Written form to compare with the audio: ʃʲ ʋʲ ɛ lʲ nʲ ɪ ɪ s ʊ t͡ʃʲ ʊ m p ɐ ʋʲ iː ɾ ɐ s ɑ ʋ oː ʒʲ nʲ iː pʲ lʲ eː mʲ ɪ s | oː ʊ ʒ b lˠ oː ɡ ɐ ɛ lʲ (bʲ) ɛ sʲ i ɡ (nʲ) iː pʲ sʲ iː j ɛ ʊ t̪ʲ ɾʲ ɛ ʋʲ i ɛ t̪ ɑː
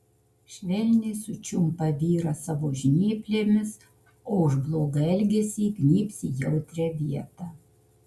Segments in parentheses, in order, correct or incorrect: incorrect: ɡʲ, correct

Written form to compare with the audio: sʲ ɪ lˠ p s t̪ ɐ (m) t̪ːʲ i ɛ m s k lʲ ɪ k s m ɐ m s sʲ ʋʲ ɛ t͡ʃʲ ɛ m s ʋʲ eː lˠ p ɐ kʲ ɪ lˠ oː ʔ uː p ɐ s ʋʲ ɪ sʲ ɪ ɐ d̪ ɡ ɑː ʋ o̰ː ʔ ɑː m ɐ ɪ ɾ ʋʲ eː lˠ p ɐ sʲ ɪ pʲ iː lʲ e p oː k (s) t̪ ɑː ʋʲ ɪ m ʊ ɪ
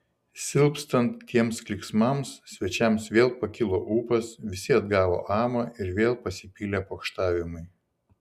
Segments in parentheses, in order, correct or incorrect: incorrect: n, incorrect: ʃ

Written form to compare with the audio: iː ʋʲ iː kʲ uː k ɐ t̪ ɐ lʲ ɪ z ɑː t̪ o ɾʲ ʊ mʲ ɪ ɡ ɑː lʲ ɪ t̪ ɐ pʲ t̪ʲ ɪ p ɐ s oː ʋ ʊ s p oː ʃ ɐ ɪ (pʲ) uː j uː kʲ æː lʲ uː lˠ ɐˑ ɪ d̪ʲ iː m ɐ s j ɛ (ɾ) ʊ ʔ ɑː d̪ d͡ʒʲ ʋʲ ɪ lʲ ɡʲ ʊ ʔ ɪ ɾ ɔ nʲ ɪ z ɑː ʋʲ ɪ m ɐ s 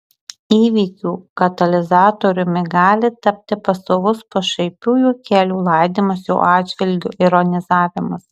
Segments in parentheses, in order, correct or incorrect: correct, incorrect: none

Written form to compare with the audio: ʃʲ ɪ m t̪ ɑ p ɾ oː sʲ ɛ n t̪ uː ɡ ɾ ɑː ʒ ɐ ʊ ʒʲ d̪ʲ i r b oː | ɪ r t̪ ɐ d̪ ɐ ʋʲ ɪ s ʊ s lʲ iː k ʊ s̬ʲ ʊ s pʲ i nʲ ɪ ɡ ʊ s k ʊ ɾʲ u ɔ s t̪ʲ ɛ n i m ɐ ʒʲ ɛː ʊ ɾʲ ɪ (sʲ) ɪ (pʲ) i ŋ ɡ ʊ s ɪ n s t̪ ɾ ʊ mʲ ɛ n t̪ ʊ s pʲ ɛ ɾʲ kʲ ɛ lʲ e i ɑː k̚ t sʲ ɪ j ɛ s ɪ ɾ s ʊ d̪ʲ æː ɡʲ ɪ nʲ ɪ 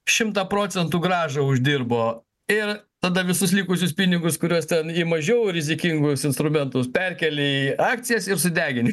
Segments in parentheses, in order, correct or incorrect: incorrect: zʲ, incorrect: kʲ

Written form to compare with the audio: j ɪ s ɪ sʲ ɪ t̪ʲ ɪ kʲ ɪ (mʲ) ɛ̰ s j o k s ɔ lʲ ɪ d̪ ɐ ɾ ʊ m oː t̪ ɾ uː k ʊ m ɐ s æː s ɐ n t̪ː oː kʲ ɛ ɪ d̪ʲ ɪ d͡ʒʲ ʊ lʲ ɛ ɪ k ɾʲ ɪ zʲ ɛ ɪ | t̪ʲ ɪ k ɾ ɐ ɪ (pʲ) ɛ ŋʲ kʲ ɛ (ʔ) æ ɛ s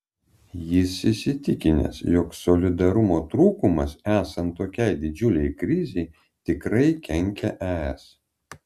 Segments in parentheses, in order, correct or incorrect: incorrect: nʲ, incorrect: kʲ, correct

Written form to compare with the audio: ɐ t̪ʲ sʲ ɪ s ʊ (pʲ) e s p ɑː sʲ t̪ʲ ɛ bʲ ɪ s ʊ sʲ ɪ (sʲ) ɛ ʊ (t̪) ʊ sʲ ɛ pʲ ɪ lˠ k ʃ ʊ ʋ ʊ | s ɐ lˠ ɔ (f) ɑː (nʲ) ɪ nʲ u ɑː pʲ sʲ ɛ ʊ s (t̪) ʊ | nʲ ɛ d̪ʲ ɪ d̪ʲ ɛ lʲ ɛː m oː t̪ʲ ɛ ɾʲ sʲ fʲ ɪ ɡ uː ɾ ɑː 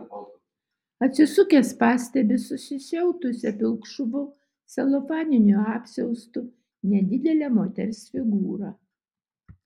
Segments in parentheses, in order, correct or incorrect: incorrect: kʲ, incorrect: ʃʲ, correct, correct, correct, correct

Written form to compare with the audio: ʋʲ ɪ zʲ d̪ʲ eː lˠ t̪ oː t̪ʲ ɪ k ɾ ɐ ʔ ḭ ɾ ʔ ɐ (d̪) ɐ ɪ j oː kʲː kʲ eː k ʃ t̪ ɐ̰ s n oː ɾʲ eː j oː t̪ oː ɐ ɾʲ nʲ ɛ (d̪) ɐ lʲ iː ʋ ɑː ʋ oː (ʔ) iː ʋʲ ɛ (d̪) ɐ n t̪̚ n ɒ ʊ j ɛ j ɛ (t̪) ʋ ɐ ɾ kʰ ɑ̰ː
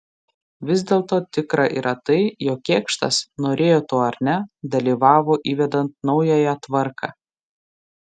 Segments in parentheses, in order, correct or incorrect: incorrect: t̪, correct, correct, correct, correct

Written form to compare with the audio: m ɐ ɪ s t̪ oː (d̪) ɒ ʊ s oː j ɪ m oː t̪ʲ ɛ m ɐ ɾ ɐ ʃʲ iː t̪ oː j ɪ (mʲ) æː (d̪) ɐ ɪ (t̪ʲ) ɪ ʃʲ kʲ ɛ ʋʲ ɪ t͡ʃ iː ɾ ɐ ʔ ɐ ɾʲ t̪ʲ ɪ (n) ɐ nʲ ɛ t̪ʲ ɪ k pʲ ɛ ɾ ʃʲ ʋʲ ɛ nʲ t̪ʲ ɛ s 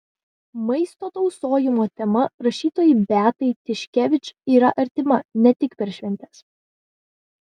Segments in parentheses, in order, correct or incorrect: incorrect: t̪, incorrect: bʲ, incorrect: t̪, correct, incorrect: m

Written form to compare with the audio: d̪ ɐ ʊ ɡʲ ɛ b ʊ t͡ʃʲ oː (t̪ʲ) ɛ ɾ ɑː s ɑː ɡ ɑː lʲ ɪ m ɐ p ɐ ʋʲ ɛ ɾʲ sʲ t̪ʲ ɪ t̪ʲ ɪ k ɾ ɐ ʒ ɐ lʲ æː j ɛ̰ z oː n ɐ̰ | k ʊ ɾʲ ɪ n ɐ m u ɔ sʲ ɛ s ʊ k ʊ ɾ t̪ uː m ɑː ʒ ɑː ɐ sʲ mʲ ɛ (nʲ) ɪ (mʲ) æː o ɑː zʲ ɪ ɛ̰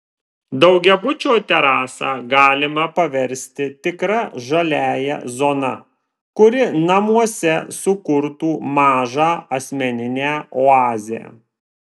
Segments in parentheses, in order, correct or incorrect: correct, correct, incorrect: nʲ

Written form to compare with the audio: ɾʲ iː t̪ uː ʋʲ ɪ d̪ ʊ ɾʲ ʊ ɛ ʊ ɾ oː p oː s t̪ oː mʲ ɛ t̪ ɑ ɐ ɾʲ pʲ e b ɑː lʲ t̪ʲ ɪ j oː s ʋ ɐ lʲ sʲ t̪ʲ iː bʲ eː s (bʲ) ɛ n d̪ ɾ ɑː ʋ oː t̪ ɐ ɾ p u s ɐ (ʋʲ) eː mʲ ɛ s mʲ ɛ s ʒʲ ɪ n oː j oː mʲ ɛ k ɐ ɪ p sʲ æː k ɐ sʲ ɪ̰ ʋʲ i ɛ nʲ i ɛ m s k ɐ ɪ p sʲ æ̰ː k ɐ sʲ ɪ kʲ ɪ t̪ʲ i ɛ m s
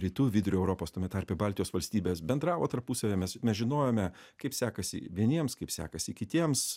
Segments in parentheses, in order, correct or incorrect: correct, correct

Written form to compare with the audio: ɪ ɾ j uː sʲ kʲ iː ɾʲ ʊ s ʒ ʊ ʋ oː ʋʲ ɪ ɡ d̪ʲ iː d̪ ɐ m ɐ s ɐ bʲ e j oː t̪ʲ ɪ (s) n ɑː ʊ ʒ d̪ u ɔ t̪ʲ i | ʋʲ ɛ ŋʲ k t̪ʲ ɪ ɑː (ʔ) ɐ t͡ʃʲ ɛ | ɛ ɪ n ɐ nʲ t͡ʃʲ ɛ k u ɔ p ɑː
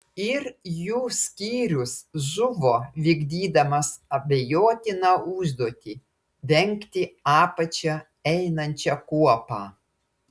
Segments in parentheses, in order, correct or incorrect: incorrect: none, incorrect: p

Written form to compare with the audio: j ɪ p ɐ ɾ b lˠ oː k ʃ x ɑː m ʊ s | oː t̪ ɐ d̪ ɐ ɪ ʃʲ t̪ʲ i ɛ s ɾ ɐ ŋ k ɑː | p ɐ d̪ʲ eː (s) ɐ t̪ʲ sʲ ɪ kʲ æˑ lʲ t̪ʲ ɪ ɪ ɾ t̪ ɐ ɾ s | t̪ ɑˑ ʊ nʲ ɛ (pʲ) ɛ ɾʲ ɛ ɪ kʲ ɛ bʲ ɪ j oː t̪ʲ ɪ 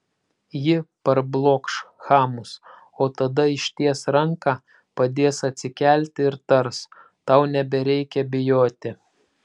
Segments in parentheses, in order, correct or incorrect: correct, incorrect: bʲ

